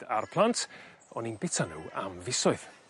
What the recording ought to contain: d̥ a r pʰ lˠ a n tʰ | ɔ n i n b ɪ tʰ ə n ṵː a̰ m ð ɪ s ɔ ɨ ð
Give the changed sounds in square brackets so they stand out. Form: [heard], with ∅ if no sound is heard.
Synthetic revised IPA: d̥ a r pʰ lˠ a n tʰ | ɔ n i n b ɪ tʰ [a] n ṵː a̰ m [v] ɪ s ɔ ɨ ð